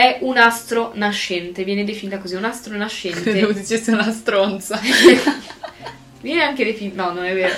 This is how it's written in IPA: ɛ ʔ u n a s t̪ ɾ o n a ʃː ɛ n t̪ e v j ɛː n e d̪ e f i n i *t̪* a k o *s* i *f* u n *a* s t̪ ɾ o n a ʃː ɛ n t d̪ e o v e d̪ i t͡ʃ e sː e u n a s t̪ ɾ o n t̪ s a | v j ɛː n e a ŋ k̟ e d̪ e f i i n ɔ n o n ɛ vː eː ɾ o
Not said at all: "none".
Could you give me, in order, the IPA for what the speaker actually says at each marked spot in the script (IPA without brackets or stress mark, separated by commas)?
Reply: t̪, z, none, a